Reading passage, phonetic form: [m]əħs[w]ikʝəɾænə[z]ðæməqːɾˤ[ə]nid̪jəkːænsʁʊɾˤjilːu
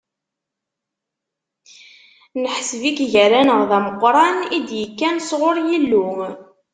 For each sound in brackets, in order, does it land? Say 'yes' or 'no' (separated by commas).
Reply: no, no, no, no